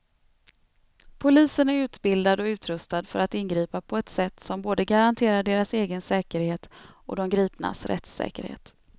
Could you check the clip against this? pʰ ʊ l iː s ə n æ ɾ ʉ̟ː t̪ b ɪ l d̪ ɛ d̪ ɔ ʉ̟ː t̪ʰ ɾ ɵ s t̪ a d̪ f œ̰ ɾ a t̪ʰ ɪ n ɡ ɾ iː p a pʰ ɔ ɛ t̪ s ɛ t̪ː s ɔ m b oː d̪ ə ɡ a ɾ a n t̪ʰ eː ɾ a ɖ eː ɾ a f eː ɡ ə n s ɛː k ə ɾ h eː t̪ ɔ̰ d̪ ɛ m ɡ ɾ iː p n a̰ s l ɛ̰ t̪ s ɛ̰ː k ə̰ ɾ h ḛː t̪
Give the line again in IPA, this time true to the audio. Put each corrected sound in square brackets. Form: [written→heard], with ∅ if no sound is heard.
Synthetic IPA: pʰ ʊ l iː s ə n æ ɾ ʉ̟ː t̪ b ɪ l d̪ [ɛ→a] d̪ ɔ ʉ̟ː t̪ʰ ɾ ɵ s t̪ a d̪ f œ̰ ɾ a [t̪ʰ→t̪] ɪ n ɡ ɾ iː p a pʰ ɔ ɛ t̪ s ɛ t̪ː s ɔ m b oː d̪ ə ɡ a ɾ a n t̪ʰ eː ɾ a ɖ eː ɾ a [f→s] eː ɡ ə n s ɛː k ə ɾ h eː t̪ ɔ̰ d̪ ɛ m ɡ ɾ iː p n a̰ s [l→ɾ] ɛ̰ t̪ s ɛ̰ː k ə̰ ɾ h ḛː t̪